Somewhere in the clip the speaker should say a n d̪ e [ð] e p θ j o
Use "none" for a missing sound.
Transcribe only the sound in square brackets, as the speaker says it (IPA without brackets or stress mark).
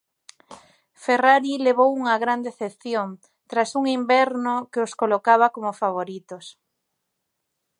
θ